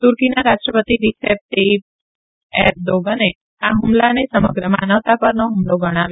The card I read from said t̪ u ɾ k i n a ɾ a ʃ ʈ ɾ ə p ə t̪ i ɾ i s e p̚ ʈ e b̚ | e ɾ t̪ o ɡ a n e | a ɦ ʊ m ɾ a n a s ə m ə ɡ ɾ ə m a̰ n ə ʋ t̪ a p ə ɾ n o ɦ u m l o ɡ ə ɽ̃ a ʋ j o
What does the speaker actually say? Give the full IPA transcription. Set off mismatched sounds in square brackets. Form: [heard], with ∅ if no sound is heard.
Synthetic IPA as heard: t̪ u ɾ k i n a ɾ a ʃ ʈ ɾ ə p ə t̪ i ɾ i s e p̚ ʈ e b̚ | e ɾ [d̪] o ɡ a n e | a ɦ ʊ m [l] a n [e] s ə m ə ɡ ɾ ə m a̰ n ə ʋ t̪ a p ə ɾ n o ɦ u m l o ɡ ə ɽ̃ a ʋ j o